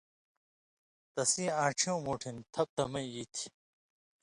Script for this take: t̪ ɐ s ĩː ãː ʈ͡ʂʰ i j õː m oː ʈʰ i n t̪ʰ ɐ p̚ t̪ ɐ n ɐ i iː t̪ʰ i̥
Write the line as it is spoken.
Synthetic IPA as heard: t̪ ɐ s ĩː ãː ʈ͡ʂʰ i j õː m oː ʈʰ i n t̪ʰ ɐ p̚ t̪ ɐ m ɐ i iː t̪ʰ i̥